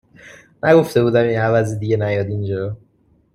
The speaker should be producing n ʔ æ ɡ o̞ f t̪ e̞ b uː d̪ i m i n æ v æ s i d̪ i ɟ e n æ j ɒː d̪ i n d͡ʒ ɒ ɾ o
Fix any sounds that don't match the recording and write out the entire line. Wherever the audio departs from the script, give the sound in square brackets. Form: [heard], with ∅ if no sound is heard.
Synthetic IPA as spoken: n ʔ æ ɡ o̞ f t̪ e̞ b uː d̪ [æ] m i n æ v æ [z] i d̪ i ɟ e n æ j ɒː d̪ i n d͡ʒ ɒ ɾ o